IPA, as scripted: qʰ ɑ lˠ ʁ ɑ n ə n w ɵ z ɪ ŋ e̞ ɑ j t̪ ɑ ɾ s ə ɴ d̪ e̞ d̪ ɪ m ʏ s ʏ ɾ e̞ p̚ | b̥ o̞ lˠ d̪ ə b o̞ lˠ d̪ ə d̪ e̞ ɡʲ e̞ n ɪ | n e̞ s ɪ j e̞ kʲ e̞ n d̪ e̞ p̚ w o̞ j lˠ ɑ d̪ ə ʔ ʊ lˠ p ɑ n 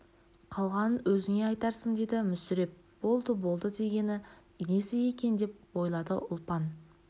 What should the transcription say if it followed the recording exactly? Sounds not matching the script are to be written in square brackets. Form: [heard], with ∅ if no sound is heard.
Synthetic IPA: qʰ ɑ lˠ ʁ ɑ n ə n w ɵ z ɪ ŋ e̞ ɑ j t̪ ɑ ɾ s ə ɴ d̪ e̞ d̪ ɪ m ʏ s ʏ ɾ e̞ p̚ | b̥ o̞ lˠ d̪ ə b o̞ lˠ d̪ ə d̪ e̞ ɡʲ e̞ n ɪ | n e̞ s ɪ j e̞ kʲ e̞ n d̪ e̞ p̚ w o̞ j lˠ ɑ d̪ ə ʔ ʊ lˠ p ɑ n